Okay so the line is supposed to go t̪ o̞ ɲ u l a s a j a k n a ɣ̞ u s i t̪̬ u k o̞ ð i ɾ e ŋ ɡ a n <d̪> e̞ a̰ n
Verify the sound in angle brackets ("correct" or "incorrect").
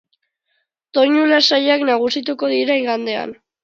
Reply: correct